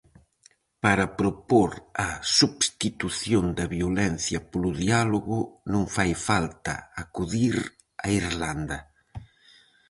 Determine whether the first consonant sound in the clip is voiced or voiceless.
voiceless